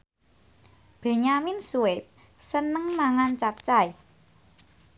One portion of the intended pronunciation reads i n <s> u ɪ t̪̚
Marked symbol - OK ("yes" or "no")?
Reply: yes